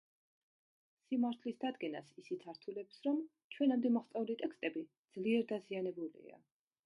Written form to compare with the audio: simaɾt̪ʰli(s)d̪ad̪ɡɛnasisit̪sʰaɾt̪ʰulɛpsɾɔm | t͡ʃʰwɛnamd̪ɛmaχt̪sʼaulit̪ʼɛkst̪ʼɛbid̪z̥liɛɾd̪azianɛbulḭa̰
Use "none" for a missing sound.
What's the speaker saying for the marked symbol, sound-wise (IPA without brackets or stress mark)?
s